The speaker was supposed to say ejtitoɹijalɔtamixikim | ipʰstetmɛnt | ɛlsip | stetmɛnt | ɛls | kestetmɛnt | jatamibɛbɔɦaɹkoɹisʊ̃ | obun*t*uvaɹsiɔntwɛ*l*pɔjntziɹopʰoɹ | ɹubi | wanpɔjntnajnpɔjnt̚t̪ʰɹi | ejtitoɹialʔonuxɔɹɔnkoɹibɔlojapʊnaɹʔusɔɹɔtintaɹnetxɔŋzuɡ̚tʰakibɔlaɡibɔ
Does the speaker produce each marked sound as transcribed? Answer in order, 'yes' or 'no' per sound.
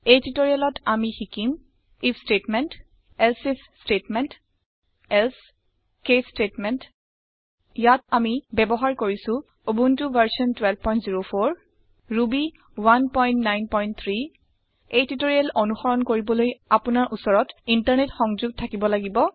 yes, yes

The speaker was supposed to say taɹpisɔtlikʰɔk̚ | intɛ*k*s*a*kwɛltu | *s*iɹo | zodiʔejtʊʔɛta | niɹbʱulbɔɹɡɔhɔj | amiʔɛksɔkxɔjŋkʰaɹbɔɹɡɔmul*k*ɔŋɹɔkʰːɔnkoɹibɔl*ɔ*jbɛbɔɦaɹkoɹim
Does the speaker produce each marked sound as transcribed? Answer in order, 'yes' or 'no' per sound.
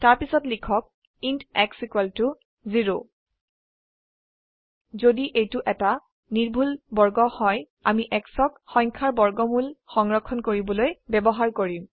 yes, no, no, no, no

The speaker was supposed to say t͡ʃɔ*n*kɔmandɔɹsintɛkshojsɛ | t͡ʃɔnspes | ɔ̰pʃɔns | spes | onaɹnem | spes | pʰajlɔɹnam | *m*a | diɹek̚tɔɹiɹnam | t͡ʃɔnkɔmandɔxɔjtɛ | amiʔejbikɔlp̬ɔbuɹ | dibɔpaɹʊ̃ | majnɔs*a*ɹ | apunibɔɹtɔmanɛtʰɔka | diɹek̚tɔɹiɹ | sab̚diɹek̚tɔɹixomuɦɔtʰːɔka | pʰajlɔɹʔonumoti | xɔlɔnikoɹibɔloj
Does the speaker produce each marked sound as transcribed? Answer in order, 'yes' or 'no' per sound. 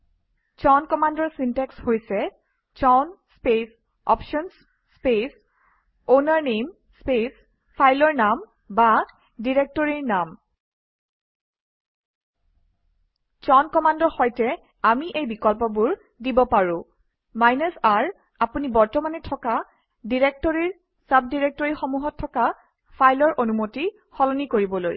yes, no, yes

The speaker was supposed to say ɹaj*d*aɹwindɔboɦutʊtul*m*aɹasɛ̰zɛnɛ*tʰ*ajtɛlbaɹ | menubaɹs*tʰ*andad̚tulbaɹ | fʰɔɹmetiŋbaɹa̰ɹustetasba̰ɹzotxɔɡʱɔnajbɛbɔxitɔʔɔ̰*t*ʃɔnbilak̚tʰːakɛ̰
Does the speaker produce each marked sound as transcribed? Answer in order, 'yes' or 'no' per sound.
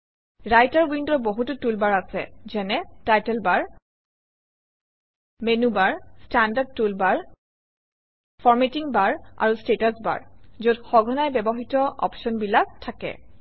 no, no, no, no, no

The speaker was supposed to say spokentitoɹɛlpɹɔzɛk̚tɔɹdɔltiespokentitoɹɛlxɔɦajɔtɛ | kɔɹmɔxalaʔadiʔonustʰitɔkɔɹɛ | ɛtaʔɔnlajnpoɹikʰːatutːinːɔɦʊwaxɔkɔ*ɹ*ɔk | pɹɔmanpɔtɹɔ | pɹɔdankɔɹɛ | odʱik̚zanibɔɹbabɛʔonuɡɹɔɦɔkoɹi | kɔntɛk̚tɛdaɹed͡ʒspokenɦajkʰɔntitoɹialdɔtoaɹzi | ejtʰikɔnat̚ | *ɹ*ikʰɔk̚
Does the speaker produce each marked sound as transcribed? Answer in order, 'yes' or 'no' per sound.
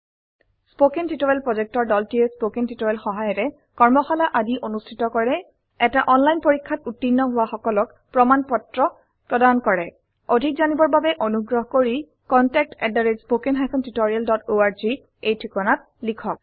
no, no

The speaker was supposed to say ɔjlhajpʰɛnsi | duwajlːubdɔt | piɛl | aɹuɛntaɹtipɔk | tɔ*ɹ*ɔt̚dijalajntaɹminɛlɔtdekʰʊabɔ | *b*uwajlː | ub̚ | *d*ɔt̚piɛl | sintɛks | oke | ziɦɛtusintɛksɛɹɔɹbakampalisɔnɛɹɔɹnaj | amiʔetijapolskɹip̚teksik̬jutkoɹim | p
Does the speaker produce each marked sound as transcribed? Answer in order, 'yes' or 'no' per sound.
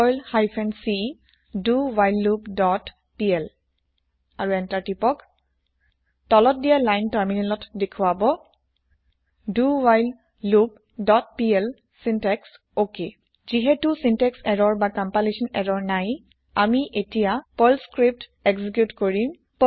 no, no, yes

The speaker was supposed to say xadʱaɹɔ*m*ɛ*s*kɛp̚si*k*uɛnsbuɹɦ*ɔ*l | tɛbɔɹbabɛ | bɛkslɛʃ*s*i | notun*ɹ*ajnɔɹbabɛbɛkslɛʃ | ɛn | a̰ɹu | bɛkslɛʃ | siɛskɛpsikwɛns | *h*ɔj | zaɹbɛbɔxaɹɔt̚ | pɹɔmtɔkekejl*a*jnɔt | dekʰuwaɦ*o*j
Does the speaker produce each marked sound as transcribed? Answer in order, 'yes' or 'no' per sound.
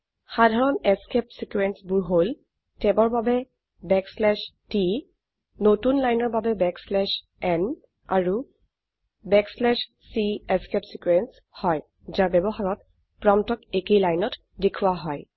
no, yes, yes, no, no, no, yes, yes, no

